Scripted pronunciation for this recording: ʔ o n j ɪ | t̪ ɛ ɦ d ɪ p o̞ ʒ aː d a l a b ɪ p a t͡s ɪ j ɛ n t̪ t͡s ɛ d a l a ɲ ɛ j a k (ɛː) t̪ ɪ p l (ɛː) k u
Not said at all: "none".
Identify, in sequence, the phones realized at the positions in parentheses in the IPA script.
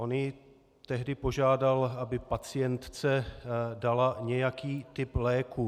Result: iː, ɛː

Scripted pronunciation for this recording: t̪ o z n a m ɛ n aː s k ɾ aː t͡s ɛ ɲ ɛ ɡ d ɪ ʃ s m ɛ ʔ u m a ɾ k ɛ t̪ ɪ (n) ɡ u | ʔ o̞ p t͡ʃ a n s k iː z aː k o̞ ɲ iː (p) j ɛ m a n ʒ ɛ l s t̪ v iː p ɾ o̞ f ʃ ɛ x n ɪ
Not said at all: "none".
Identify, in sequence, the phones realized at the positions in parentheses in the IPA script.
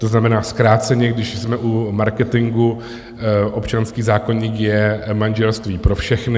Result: ŋ, k

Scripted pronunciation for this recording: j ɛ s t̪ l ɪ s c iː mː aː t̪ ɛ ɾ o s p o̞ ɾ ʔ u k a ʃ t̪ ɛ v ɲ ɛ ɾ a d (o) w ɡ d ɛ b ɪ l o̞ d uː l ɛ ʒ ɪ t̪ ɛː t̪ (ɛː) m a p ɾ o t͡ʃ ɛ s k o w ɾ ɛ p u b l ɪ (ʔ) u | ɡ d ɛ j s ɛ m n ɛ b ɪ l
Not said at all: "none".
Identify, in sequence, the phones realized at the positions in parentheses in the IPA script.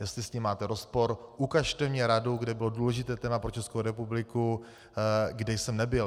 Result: o, ɛː, k

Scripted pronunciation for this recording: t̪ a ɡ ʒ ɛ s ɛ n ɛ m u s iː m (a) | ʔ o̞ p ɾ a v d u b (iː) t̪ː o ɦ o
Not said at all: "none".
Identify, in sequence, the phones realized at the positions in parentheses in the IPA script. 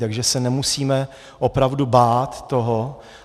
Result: ɛ, aː

